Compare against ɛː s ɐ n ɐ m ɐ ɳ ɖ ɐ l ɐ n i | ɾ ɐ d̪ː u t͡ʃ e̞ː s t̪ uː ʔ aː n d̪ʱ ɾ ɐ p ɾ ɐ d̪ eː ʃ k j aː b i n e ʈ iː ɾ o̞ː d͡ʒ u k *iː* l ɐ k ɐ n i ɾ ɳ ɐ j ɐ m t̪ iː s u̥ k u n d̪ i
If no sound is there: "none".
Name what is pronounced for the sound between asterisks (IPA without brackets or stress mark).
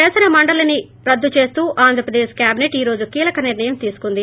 iː